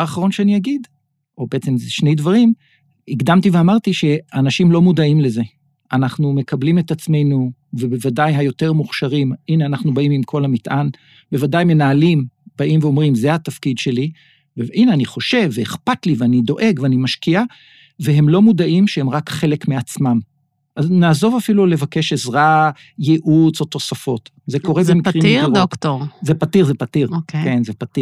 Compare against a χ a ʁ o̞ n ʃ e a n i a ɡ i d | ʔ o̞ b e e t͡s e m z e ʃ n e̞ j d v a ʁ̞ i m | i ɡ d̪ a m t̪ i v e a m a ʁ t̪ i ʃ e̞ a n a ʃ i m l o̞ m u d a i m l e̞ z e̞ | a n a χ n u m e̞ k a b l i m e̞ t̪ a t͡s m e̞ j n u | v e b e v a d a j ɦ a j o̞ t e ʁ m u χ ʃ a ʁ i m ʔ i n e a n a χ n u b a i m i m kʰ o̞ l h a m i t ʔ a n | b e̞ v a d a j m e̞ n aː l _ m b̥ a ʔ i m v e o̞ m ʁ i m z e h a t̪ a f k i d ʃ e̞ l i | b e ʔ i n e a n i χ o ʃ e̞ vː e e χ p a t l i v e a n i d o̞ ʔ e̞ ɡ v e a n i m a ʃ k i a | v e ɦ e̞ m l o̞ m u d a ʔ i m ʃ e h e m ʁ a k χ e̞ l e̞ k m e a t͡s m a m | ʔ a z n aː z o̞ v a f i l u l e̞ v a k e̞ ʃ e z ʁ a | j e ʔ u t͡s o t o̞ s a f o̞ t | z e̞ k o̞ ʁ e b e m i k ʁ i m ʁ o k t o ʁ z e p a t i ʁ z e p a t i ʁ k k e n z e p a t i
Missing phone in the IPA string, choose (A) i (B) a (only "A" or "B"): A